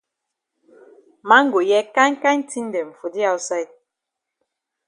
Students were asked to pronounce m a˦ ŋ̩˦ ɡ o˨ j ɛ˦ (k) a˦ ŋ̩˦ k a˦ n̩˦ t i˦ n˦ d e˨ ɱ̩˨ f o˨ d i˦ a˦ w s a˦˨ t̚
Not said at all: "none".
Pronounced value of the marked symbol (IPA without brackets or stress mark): k